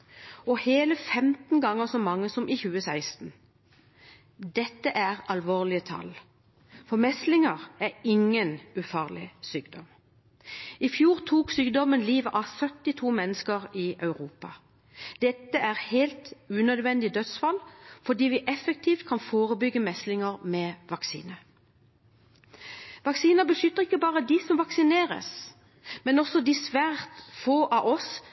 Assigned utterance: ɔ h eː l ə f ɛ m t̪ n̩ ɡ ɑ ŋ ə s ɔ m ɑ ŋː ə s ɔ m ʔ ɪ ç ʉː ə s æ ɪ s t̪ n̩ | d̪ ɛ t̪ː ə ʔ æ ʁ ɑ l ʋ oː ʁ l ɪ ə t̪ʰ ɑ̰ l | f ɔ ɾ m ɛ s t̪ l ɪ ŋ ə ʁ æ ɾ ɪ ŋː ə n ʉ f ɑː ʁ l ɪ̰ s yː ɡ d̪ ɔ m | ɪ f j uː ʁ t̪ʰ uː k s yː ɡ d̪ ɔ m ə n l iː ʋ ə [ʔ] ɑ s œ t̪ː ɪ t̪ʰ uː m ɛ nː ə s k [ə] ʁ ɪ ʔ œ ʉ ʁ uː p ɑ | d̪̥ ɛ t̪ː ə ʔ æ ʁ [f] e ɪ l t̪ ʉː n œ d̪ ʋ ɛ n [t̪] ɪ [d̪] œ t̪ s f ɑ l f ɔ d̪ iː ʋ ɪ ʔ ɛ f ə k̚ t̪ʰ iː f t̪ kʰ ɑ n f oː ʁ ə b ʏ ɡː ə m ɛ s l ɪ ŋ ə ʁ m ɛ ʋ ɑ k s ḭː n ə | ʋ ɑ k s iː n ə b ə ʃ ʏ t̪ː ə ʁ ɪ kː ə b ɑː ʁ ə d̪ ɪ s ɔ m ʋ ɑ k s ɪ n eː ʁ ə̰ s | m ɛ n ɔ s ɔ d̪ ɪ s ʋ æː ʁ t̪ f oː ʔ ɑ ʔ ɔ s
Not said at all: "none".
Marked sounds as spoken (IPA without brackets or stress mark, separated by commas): ʔ, ə, h, d̪, d̪